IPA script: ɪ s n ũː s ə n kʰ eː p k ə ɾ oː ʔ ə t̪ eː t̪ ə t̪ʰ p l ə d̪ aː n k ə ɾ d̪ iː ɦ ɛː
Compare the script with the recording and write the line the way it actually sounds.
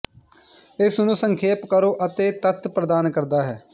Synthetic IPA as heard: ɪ s n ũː s ə ŋ kʰ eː p k ə ɾ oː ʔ ə t̪ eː t̪ ə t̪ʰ p ɾ ə d̪ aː n k ə ɾ d̪ aː ɦ ɛː